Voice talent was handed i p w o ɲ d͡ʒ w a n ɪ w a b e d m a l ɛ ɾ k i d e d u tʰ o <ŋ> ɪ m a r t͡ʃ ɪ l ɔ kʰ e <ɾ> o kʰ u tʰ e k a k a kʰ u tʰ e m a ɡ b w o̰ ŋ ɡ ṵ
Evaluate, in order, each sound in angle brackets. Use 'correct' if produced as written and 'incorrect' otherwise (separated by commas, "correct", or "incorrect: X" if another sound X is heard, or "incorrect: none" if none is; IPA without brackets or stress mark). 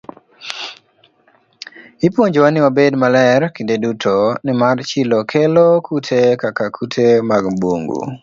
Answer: incorrect: n, incorrect: l